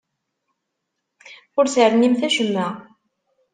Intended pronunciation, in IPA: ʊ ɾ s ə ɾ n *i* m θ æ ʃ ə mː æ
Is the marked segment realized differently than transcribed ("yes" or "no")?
no